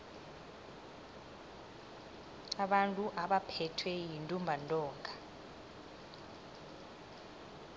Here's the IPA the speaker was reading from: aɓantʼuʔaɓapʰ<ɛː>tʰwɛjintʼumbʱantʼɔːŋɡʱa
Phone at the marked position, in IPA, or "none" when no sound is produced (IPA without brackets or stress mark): ɛ